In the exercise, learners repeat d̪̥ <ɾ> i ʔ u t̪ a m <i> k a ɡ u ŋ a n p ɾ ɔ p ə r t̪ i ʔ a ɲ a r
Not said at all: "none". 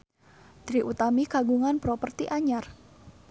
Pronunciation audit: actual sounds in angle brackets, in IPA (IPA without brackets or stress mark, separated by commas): ɾ, i